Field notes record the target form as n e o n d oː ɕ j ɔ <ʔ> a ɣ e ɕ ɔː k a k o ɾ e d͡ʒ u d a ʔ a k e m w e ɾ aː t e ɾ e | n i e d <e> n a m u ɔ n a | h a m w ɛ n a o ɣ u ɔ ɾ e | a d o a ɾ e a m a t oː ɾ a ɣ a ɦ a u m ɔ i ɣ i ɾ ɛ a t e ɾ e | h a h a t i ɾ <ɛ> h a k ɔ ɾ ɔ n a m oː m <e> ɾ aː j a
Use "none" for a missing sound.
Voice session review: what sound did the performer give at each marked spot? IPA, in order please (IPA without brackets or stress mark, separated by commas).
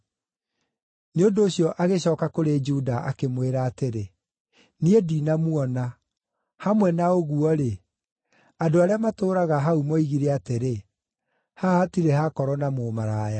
ʔ, i, e, a